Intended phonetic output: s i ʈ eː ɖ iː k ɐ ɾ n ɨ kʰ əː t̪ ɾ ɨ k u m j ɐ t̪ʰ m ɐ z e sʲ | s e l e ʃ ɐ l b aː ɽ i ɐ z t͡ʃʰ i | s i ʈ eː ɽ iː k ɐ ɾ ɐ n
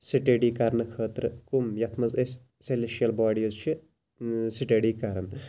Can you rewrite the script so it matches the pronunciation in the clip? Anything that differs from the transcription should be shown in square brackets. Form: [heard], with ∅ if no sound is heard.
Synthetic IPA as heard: s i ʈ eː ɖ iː k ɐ ɾ n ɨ kʰ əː t̪ ɾ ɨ k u m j ɐ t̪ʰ m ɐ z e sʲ | s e l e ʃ ɐ l b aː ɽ i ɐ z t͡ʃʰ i | s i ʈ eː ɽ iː k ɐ ɾ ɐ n